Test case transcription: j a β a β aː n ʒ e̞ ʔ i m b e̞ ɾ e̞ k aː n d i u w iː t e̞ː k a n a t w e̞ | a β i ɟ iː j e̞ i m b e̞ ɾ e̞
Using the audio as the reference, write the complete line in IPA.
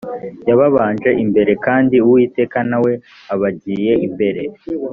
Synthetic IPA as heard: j a β a β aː n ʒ e̞ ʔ i m b e̞ ɾ e̞ k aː n d i u w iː t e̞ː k a n a w e̞ | a β a ɟ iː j e̞ i m b e̞ ɾ e̞